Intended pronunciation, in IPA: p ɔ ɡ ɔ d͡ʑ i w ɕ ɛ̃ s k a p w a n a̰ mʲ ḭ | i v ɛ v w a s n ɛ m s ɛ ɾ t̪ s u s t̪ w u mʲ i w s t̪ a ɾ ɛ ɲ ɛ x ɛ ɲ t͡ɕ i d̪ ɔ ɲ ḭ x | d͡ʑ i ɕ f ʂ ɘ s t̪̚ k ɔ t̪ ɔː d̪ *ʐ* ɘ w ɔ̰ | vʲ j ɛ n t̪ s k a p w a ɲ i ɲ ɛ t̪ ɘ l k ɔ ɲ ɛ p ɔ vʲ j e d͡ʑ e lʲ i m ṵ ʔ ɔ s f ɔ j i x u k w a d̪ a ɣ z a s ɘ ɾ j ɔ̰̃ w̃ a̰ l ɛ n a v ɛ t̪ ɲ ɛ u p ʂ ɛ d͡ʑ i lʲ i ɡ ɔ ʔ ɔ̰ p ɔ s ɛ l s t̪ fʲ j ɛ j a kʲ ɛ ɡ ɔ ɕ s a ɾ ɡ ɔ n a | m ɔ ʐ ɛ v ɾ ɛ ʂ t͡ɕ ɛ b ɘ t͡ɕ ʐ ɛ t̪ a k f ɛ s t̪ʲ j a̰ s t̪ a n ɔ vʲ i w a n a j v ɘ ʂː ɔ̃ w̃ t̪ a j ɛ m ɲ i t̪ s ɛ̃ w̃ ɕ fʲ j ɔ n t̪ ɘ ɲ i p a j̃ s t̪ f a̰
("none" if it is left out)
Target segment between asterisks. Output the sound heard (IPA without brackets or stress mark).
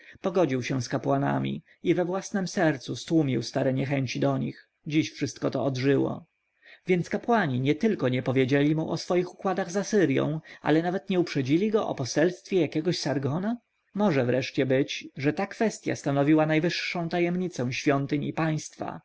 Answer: ʐ